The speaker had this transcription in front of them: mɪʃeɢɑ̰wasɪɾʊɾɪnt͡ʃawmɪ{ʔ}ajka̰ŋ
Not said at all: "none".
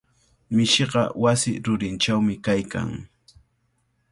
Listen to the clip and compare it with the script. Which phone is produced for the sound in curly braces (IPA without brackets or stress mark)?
k